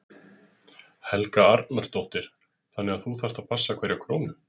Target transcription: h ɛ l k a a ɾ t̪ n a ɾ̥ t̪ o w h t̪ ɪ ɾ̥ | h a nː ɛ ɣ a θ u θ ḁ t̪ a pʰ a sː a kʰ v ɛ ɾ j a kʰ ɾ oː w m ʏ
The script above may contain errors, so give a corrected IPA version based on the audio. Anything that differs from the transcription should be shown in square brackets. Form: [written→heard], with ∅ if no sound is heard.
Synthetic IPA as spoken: h ɛ l k a a ɾ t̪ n a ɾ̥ t̪ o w h t̪ ɪ ɾ̥ | [h→θ] a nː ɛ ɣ a θ u θ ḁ t̪ a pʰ a sː a kʰ v ɛ ɾ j a kʰ ɾ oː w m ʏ

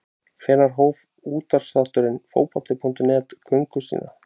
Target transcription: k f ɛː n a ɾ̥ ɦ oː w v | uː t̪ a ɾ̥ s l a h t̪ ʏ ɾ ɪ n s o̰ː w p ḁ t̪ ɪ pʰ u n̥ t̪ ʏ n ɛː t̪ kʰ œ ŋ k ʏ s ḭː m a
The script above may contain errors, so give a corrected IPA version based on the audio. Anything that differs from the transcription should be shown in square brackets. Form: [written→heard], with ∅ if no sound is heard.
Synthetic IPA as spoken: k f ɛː n a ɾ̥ ɦ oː w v | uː t̪ a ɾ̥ s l a h t̪ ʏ ɾ ɪ n [s→f] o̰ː w p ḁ t̪ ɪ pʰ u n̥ t̪ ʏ n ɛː t̪ kʰ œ ŋ k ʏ s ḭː [m→n] a

